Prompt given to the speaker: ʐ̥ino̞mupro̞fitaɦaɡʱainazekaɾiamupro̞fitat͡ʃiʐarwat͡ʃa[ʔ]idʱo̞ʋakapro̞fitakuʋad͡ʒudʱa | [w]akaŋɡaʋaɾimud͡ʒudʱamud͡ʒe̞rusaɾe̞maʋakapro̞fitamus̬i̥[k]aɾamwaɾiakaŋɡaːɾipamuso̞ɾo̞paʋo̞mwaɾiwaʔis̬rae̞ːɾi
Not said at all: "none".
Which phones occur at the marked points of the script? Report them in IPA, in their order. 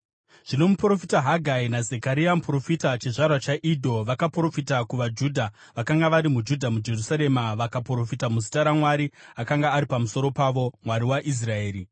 ʔ, ʋ, t

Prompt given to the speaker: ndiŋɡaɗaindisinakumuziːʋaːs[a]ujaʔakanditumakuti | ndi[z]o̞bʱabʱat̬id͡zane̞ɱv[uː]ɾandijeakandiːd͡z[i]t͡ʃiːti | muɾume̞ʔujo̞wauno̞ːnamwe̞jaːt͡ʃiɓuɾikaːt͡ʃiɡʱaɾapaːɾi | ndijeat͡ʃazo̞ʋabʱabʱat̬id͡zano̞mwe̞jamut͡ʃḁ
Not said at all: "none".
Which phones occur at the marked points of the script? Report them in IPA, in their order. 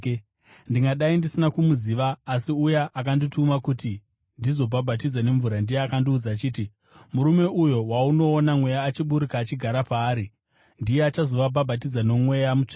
i, z, u, a

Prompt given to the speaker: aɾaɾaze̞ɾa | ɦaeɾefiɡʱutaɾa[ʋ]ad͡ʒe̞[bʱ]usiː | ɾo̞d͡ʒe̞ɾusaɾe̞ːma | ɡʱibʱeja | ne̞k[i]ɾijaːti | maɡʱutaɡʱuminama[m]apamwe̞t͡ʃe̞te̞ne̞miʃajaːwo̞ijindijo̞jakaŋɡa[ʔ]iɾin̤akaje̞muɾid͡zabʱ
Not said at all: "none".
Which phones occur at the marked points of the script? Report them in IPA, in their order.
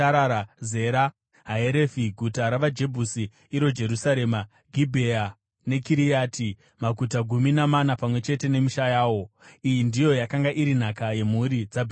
ʋ, bʱ, i, n, ʔ

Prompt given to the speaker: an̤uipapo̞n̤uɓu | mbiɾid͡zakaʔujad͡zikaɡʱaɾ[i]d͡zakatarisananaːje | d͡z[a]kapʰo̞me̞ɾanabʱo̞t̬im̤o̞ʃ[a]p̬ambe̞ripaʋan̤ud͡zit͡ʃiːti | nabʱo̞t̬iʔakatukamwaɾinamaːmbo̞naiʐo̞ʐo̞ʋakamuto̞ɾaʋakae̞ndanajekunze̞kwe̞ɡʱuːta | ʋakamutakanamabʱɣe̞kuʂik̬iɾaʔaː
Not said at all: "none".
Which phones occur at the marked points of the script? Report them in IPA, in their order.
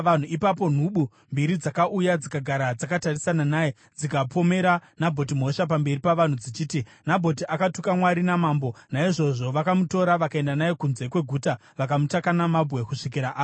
a, i, a

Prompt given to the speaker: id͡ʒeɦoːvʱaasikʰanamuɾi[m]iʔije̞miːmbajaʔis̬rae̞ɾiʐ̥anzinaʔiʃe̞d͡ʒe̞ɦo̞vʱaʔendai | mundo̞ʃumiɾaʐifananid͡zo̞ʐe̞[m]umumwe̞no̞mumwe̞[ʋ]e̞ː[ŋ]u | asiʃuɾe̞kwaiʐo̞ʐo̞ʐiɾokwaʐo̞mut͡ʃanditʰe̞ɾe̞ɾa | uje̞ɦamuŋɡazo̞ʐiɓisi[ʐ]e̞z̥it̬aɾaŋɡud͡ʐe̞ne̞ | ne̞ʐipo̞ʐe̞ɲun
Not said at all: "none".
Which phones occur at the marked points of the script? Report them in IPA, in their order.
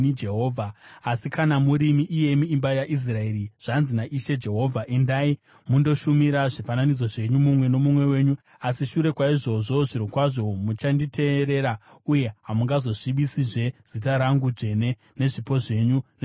m, ɲ, w, ɲ, ʐ

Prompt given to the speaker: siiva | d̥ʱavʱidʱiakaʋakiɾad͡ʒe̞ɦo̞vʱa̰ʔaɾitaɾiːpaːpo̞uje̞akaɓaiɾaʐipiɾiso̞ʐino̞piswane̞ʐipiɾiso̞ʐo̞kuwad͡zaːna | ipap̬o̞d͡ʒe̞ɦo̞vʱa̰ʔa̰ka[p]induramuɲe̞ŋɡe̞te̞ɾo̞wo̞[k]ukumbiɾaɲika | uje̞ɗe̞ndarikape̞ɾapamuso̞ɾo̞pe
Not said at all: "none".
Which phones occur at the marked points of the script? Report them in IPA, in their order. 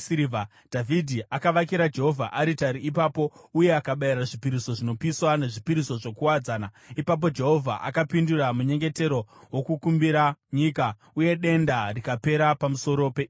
p, k

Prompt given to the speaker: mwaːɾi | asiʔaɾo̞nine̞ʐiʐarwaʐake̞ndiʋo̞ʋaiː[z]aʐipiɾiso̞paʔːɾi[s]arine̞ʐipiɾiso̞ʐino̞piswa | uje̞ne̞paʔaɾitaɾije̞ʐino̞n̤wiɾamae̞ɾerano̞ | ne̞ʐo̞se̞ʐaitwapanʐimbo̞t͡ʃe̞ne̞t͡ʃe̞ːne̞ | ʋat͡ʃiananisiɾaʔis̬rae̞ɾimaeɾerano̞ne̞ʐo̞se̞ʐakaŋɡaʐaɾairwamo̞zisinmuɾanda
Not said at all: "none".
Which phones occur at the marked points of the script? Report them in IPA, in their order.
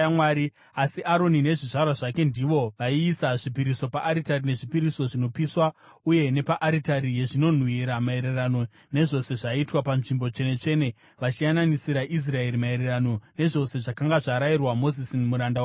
s, t

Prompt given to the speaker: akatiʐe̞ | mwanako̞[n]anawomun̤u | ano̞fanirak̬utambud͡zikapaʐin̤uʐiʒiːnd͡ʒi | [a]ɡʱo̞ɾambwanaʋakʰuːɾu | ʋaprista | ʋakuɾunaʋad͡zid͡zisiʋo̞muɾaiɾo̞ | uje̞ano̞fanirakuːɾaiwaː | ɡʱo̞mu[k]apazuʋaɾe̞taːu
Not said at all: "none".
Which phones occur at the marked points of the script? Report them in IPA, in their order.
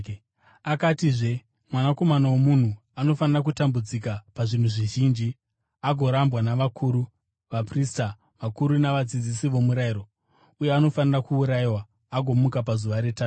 m, a, k

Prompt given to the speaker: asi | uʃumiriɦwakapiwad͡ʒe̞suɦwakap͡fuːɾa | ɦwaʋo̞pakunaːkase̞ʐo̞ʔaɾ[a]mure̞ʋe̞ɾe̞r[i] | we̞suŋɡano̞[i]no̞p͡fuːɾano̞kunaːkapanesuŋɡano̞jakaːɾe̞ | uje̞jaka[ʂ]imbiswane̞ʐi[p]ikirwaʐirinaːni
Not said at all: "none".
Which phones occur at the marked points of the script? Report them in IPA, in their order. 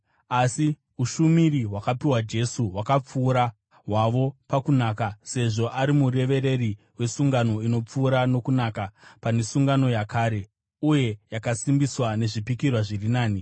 i, i, i, s, p

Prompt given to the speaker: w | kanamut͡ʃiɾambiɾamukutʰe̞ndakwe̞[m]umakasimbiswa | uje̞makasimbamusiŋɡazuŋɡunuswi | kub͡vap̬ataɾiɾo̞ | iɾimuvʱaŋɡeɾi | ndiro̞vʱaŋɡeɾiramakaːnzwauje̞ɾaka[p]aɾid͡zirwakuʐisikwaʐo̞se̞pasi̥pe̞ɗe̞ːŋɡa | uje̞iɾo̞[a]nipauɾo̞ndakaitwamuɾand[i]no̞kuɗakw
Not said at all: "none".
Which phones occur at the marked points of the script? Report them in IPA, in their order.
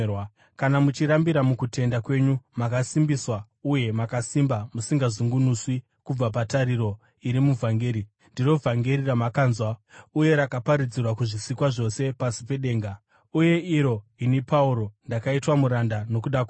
ɲ, p, i, a

